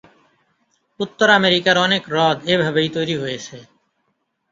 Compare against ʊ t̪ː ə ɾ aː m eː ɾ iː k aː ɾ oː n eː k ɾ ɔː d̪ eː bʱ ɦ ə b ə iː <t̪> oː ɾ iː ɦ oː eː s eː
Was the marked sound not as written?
no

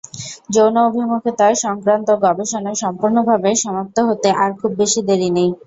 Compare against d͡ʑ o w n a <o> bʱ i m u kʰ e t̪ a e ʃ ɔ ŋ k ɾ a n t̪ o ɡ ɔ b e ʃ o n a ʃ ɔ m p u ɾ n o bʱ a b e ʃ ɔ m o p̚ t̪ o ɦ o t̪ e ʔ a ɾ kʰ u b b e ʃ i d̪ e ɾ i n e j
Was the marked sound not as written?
no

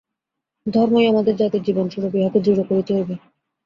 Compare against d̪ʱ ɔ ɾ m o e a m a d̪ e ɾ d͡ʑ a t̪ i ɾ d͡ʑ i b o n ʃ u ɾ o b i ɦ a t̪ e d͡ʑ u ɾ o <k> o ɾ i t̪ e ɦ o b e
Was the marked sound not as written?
no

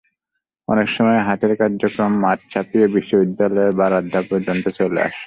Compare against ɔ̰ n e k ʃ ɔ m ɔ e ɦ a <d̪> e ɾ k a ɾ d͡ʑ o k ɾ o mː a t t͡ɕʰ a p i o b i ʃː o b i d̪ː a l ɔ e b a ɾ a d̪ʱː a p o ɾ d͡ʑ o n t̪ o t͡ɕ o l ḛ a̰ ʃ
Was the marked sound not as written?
yes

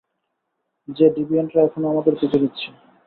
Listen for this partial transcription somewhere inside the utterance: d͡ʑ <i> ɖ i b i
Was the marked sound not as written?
yes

